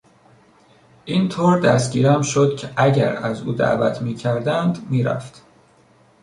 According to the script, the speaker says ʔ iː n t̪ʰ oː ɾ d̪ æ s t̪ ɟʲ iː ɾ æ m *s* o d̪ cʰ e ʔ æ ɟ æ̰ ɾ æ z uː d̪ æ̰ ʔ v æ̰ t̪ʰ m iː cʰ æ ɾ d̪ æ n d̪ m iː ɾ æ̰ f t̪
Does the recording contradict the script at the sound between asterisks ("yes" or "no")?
yes